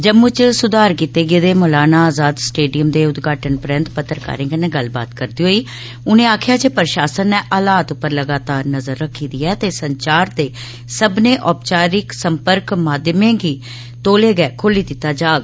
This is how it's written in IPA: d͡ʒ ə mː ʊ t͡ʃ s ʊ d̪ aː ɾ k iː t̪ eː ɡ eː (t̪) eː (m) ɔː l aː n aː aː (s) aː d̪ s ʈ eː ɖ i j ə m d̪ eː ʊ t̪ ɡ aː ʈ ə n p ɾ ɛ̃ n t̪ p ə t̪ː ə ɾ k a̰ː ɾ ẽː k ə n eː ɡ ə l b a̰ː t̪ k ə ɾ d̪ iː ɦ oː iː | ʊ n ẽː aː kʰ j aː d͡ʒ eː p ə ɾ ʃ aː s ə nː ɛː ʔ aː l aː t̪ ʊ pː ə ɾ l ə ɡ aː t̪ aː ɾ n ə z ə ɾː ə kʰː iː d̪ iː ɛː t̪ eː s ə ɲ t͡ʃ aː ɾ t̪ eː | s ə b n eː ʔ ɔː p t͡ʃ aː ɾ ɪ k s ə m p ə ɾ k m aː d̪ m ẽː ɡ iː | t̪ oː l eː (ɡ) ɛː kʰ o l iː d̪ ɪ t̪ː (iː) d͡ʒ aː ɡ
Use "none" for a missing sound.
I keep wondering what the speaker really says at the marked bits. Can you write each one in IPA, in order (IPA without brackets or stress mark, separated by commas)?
d̪, m, z, ɡ, aː